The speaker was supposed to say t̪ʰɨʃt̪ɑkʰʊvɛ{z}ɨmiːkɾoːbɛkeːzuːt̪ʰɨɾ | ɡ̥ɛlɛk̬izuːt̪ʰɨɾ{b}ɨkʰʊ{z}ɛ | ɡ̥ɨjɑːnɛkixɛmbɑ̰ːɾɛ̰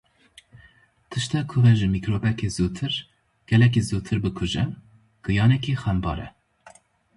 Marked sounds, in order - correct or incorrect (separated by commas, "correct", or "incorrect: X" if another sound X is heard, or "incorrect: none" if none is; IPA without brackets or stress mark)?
incorrect: ʒ, correct, incorrect: ʒ